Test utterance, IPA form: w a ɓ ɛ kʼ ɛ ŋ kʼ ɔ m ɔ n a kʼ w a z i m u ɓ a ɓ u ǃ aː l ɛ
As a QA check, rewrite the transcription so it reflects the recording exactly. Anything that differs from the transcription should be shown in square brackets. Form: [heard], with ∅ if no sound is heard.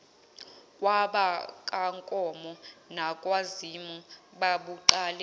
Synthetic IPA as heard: w a ɓ [a] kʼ [a] ŋ kʼ ɔ m ɔ n a kʼ w a z i m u ɓ a ɓ u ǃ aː l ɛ